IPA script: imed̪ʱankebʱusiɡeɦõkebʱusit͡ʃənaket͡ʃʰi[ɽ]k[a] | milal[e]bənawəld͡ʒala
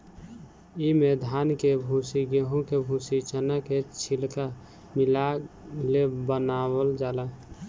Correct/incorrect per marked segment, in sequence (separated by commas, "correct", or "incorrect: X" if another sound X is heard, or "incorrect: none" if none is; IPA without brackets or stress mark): incorrect: l, correct, correct